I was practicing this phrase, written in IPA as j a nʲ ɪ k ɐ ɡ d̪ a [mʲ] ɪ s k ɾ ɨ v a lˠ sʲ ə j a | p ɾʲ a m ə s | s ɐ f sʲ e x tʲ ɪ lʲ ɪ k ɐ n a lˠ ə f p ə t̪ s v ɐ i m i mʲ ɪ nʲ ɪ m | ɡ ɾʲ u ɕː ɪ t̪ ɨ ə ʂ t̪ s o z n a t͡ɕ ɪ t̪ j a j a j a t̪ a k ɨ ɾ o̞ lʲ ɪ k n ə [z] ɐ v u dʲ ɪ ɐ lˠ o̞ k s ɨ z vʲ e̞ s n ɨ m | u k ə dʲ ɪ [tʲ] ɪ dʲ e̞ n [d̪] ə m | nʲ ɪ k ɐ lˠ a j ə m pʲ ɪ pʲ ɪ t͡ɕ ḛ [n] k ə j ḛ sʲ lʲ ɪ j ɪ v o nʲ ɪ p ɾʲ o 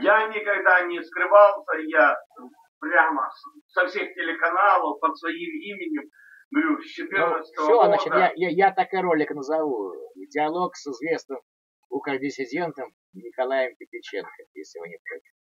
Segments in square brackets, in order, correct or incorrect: incorrect: nʲ, correct, incorrect: sʲ, incorrect: t̪, correct

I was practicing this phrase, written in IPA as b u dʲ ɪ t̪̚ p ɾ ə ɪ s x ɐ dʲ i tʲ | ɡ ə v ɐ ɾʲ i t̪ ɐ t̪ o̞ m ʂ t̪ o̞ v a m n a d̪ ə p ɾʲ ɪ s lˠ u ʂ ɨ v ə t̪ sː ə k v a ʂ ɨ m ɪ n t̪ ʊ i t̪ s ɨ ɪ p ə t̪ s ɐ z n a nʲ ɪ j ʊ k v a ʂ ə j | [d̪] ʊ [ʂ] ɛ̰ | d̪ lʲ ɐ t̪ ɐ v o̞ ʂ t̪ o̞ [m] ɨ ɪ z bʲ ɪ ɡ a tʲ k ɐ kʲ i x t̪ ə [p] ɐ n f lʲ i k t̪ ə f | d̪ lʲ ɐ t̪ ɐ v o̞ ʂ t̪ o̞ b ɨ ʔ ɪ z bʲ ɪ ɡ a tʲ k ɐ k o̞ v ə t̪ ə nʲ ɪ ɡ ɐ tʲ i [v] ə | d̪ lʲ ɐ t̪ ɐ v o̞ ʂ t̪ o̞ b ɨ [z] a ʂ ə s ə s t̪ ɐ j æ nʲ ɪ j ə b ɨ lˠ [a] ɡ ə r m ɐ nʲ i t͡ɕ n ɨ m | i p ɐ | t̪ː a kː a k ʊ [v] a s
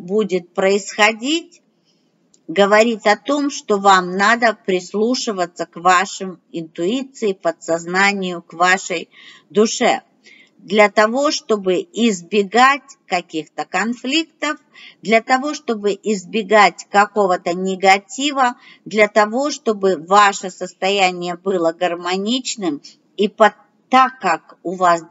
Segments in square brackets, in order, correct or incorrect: correct, correct, incorrect: b, incorrect: k, correct, incorrect: v, incorrect: ə, correct

